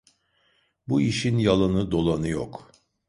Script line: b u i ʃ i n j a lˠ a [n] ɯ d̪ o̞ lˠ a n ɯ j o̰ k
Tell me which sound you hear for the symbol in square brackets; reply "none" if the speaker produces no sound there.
n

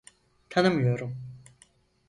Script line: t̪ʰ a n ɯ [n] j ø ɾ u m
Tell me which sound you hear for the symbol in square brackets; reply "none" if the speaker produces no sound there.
m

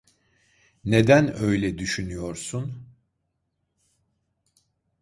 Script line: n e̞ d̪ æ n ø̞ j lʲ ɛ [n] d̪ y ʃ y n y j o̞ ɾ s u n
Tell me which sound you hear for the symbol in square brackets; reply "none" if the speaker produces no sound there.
none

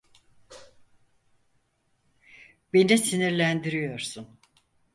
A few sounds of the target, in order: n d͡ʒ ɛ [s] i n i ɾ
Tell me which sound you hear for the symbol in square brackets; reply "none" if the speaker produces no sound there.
s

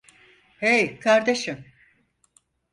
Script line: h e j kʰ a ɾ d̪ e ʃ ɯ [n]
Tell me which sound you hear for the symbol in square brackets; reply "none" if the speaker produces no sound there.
m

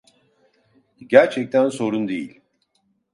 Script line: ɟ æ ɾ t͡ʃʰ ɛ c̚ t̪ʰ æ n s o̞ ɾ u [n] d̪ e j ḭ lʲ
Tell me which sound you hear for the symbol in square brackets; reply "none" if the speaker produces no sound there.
n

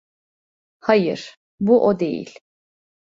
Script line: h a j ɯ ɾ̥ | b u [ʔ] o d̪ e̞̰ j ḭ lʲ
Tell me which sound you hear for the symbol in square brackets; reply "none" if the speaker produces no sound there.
ʔ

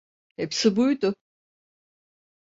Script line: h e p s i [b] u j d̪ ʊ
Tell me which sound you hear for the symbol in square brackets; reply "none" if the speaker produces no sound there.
b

